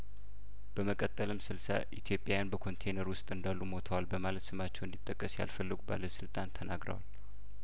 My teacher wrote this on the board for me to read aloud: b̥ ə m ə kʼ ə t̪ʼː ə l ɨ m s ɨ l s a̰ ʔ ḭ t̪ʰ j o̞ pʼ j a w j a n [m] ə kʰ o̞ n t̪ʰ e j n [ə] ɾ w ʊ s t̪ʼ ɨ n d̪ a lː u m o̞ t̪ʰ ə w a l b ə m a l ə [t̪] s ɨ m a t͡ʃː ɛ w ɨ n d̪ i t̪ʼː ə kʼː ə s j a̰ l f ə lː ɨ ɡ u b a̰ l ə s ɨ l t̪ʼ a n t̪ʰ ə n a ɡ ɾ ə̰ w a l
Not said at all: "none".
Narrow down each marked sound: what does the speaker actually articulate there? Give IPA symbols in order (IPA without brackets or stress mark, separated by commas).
b, ə, t̪